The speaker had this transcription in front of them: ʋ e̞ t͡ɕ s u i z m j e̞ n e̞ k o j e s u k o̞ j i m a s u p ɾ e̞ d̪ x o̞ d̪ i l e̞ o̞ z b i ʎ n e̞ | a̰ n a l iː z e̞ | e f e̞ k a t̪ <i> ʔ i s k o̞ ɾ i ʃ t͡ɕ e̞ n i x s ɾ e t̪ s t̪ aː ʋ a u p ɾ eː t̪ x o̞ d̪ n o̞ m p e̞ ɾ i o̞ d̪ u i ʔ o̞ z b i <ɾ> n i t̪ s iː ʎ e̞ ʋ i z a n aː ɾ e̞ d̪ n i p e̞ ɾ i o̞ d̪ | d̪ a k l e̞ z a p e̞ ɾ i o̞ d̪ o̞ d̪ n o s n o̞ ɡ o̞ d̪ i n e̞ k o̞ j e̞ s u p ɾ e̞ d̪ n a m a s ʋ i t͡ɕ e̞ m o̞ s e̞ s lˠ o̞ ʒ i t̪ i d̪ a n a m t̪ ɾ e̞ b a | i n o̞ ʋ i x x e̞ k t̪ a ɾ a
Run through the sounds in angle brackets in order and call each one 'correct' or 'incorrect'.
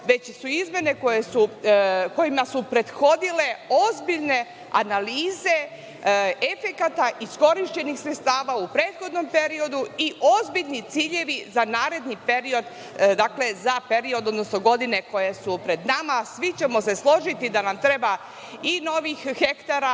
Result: incorrect: a, incorrect: ʎ

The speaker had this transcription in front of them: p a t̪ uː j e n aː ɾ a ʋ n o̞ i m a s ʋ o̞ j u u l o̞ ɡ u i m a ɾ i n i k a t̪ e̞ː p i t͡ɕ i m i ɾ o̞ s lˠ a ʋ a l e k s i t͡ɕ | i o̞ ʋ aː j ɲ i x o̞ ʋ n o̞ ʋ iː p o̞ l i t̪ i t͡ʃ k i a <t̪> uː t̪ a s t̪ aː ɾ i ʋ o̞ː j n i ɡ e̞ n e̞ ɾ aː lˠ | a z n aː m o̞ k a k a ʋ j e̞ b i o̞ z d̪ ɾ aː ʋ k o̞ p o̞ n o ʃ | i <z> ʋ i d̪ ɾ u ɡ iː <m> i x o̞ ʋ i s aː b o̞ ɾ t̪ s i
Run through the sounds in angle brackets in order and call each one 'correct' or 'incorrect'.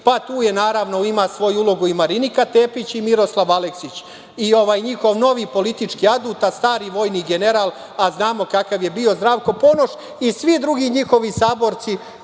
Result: incorrect: d̪, incorrect: s, incorrect: ɲ

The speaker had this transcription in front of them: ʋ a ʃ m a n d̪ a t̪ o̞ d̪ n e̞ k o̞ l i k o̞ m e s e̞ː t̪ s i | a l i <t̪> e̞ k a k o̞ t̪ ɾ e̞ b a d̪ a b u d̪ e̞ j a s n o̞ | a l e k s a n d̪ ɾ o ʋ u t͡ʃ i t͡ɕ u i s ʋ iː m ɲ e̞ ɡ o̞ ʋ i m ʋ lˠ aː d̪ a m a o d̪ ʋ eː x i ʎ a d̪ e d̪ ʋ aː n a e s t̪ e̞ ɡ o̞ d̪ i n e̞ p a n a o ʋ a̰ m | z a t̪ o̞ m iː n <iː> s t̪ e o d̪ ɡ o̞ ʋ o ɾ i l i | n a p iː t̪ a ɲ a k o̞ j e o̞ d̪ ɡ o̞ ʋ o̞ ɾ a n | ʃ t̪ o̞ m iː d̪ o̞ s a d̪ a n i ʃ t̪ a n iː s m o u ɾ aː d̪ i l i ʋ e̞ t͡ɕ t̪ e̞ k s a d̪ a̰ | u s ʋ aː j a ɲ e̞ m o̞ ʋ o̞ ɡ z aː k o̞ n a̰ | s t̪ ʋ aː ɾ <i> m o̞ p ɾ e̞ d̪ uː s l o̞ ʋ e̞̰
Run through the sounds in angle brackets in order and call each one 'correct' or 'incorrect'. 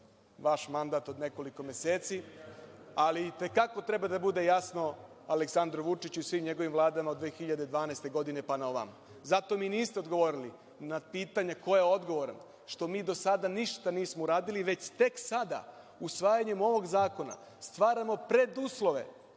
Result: correct, correct, incorrect: a

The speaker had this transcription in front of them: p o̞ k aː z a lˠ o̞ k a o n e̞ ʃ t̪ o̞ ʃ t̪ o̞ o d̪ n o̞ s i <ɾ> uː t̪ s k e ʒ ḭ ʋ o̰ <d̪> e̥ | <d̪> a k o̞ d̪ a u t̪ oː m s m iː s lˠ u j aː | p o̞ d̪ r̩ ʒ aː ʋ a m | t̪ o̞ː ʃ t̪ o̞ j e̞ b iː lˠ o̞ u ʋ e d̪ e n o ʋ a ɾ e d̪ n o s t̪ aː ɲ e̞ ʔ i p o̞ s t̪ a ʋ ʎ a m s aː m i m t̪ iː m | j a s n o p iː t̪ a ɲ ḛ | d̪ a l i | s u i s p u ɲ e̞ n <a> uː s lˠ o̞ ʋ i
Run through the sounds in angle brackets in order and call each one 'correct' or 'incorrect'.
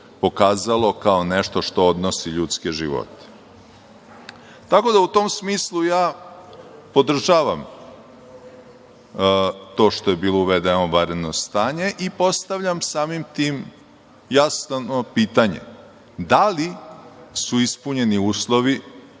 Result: incorrect: ʎ, incorrect: t̪, incorrect: t̪, incorrect: i

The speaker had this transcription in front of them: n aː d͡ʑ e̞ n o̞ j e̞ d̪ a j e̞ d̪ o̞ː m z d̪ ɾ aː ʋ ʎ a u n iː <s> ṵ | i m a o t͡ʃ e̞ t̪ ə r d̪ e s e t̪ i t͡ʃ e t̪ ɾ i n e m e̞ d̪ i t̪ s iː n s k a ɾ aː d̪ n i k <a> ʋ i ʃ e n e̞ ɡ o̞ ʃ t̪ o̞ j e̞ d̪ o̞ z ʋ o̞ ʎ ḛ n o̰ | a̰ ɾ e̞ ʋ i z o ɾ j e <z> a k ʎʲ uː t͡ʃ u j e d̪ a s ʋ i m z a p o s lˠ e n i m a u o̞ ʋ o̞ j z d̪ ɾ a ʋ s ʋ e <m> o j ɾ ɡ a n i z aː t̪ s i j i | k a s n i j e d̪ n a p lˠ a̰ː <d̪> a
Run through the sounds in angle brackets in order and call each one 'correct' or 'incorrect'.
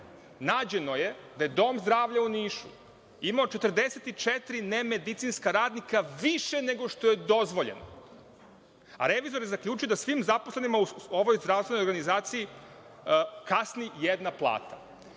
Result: incorrect: ʃ, correct, correct, incorrect: n, incorrect: t̪

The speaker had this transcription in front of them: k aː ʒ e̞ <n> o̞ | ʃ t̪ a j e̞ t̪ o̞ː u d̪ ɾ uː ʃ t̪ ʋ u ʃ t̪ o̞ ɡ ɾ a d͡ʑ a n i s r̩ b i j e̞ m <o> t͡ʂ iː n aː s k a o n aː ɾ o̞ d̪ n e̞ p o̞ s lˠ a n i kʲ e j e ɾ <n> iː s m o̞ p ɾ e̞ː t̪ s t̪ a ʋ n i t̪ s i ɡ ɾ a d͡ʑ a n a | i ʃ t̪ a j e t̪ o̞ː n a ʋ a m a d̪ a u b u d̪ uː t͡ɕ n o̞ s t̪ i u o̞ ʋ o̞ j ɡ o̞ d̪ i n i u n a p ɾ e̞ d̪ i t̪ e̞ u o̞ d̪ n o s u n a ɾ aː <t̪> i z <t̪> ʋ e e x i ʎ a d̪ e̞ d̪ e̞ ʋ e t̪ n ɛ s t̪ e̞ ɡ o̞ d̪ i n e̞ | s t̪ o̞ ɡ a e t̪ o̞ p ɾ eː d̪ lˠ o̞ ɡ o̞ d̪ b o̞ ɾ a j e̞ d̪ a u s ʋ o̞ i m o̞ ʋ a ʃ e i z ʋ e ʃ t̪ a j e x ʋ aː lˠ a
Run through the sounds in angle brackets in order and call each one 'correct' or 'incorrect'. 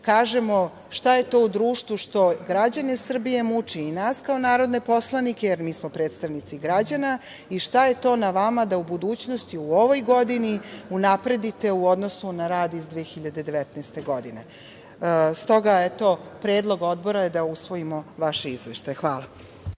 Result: incorrect: m, incorrect: u, incorrect: m, incorrect: d̪, incorrect: d̪

